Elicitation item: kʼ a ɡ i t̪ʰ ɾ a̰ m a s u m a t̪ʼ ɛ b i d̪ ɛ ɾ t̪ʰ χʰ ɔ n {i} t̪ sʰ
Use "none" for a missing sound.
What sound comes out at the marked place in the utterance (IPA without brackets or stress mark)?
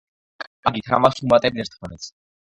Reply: ɛ